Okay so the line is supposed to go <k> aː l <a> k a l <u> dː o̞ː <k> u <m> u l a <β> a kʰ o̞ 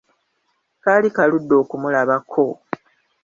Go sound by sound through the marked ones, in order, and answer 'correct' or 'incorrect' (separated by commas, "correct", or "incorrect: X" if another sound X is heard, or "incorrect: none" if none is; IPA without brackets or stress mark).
correct, incorrect: i, correct, correct, correct, correct